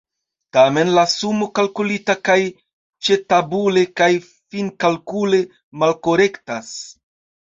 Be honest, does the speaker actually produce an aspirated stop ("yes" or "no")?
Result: no